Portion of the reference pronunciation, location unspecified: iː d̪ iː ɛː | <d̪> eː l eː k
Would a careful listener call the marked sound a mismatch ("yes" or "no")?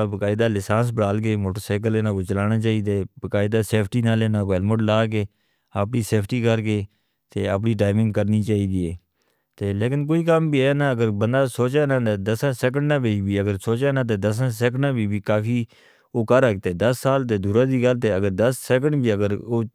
yes